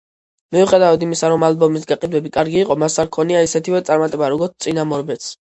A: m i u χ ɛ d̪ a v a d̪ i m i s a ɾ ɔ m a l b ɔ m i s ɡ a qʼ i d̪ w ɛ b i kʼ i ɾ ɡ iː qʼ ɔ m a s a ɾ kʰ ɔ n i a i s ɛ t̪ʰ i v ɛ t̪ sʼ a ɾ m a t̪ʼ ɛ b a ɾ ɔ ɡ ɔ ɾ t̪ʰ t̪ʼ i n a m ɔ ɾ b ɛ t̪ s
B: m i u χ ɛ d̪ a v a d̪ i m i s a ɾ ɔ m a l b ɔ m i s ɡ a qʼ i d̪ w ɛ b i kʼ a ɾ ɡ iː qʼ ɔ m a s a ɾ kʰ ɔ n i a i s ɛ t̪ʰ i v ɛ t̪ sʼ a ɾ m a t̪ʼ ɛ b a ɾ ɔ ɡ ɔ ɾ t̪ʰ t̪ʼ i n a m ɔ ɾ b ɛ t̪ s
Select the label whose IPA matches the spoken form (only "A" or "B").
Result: B